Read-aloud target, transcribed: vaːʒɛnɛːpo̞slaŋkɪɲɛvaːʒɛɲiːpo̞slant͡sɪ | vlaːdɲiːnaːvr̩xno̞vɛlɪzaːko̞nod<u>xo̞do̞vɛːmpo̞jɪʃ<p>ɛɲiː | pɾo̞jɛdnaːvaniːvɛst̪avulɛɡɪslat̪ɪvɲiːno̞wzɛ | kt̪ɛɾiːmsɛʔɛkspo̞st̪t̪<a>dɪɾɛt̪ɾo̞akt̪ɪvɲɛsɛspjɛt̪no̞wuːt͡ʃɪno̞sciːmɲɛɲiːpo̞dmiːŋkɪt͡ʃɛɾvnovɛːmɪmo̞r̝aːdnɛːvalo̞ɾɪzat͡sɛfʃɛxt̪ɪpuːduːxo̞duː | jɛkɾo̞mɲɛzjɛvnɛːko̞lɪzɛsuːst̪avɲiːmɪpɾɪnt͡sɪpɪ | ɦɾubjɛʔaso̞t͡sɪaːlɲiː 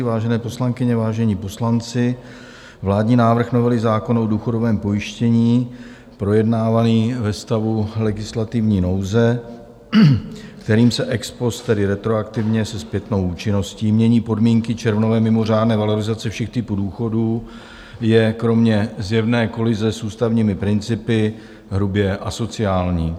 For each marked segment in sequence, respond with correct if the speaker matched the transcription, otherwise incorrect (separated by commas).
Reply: incorrect, incorrect, incorrect